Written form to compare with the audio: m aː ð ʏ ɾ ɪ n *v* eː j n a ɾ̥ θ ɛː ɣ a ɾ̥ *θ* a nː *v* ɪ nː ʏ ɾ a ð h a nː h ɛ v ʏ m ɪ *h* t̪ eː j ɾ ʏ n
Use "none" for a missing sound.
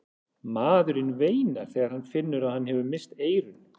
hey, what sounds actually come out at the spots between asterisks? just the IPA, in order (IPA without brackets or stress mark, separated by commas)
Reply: v, h, f, s